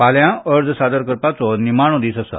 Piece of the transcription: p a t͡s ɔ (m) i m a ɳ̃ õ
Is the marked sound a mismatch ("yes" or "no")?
yes